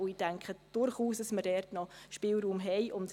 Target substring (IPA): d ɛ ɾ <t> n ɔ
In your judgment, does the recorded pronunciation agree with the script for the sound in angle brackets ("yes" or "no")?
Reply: yes